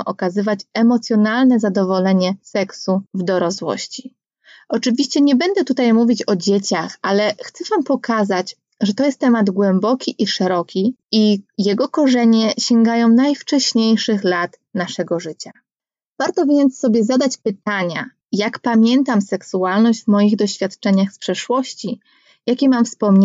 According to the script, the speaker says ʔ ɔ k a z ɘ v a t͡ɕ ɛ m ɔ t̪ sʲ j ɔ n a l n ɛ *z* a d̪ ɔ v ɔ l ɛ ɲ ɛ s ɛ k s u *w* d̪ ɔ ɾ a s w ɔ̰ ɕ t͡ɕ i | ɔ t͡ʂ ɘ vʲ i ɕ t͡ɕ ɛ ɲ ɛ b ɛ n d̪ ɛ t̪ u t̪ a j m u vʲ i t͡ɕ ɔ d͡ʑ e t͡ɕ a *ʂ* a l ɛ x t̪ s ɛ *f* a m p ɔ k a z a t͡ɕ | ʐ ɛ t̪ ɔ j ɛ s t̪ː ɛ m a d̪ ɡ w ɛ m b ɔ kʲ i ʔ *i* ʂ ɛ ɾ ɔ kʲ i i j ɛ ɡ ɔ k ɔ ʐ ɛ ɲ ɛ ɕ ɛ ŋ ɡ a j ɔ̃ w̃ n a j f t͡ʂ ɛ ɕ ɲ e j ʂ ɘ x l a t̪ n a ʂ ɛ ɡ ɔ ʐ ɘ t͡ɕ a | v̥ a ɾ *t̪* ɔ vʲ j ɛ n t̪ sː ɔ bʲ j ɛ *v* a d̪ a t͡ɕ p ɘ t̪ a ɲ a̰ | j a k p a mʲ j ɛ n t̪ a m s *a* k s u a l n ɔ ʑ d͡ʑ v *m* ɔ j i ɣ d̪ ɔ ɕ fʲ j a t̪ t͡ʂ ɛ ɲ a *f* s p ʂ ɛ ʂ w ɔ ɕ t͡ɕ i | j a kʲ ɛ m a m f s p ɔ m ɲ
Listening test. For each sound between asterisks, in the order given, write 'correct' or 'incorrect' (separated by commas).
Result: correct, incorrect, incorrect, incorrect, correct, correct, incorrect, incorrect, correct, incorrect